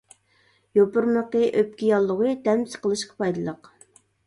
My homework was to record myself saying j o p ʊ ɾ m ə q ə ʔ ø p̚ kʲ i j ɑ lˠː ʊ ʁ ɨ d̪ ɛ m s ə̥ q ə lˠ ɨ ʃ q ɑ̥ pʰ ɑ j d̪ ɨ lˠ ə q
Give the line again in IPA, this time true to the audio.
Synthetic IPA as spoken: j o p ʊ ɾ m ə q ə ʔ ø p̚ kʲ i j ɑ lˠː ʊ ʁ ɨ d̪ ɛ m s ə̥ q ə lˠ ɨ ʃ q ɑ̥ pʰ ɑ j d̪ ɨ lˠ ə q